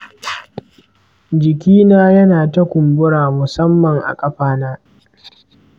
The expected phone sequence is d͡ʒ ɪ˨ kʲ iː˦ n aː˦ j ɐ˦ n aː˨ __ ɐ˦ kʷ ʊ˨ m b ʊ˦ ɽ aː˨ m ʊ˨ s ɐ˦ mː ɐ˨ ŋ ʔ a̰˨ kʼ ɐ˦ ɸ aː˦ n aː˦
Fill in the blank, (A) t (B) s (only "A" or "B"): A